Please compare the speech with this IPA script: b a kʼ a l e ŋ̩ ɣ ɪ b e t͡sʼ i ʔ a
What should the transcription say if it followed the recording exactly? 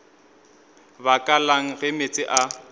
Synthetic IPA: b a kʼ a l a ŋ̩ ɣ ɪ m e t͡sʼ ɪ ʔ a